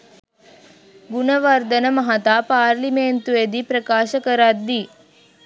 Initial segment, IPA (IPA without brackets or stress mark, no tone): ɡ